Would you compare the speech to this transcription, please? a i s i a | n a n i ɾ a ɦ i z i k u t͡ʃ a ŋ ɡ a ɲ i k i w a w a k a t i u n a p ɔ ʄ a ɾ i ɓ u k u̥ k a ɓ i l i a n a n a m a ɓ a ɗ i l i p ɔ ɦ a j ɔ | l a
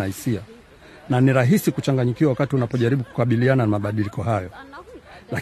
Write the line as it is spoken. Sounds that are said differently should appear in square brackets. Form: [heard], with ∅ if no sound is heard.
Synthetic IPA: a i s i a | n a n i ɾ a ɦ i [s] i k u t͡ʃ a ŋ ɡ a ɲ i k i w a w a k a t i u n a p ɔ ʄ a ɾ i ɓ u k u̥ k a ɓ i l i a n a n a m a ɓ a ɗ i l i [k] ɔ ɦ a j ɔ | l a